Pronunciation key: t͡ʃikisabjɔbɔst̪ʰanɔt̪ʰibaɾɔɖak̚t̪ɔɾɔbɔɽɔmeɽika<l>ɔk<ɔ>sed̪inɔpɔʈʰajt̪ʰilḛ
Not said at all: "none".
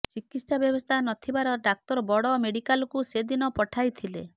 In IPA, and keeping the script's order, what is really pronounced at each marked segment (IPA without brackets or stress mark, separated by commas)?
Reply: l, u